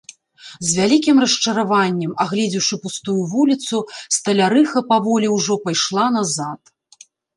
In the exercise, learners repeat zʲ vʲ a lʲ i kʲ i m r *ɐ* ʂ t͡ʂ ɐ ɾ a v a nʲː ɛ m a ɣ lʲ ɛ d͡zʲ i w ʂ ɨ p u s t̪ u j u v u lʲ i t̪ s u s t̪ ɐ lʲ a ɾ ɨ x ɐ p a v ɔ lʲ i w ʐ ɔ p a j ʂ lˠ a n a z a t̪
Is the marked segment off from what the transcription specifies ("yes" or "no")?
no